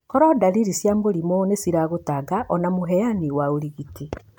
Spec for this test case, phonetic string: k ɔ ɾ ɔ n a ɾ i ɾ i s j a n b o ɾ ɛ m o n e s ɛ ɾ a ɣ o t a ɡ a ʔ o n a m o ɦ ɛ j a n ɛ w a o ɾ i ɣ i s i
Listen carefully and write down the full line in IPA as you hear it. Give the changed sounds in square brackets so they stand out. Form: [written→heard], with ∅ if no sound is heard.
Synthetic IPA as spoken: k ɔ ɾ ɔ [n→d] a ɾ i ɾ i s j a [n→m] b o ɾ [ɛ→i] m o n e s [ɛ→i] ɾ a ɣ o t a ɡ a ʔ [o→ɔ] n a m o ɦ ɛ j a n [ɛ→i] w a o ɾ i ɣ i [s→t] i